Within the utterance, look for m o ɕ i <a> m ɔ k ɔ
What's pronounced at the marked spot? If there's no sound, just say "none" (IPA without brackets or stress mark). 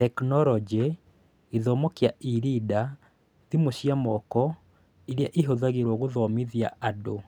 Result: a